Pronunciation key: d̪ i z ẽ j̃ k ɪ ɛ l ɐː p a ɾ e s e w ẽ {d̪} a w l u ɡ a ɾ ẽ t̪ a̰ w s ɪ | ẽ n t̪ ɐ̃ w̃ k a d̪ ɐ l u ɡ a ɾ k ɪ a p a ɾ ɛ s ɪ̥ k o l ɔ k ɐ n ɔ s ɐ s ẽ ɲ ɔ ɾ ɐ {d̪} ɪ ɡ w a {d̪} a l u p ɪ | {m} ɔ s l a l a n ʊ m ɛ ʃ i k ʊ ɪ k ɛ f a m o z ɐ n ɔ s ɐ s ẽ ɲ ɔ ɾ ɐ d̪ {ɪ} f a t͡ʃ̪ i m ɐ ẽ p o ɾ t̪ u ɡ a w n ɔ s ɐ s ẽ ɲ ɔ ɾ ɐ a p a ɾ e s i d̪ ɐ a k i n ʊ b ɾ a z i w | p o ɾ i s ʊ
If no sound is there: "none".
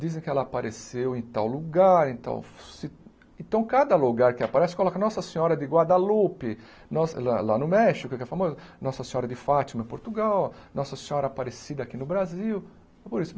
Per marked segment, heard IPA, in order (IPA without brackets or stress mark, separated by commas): t̪, d̪, d̪, n, ɪ